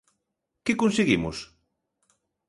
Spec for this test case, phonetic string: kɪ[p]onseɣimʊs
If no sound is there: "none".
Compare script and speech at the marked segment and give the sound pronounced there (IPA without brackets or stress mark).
k